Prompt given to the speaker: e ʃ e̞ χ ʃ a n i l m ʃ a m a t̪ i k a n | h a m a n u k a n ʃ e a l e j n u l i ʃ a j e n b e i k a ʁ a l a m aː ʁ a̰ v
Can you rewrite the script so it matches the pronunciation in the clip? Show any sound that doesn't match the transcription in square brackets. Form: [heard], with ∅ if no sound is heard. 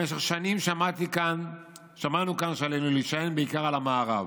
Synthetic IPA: e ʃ e̞ χ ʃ a n i [∅] m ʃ a m a t̪ i k a n | [ʃ] a m a n u k a n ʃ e a l e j n u l i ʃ a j e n b e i k a ʁ a l a m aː ʁ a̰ v